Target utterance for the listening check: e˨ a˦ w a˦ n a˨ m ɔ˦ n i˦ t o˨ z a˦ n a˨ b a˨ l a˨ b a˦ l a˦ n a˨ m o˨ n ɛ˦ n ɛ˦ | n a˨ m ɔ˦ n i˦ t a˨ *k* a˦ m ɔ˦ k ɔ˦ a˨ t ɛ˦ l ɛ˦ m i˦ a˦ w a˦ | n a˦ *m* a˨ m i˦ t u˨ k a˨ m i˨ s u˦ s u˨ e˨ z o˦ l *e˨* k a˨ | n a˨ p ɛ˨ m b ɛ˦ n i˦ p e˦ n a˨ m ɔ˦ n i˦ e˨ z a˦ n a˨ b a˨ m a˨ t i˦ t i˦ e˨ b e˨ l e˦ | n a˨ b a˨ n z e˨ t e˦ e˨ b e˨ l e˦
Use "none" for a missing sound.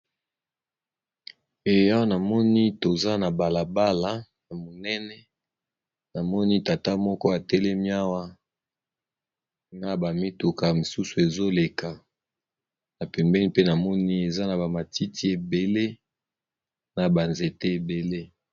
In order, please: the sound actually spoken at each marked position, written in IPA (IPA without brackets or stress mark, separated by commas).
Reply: t, b, e˨